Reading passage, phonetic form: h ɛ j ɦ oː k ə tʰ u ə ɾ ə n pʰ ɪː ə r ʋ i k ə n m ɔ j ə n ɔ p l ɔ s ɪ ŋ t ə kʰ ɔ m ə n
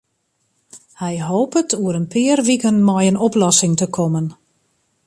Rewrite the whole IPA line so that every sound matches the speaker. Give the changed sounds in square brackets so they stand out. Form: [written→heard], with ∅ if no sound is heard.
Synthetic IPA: h ɛ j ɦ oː [k→p] ə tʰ u ə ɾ ə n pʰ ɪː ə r ʋ i k ə n m ɔ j ə n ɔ p l ɔ s ɪ ŋ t ə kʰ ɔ m ə n